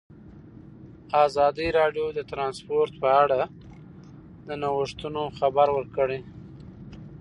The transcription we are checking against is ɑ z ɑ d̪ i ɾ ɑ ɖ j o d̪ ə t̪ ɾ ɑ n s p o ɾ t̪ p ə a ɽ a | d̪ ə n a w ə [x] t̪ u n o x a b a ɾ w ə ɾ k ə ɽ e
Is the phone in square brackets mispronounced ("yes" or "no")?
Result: yes